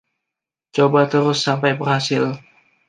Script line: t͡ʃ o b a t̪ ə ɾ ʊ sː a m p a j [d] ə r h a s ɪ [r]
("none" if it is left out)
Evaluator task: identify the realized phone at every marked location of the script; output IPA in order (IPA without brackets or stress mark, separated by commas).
b, l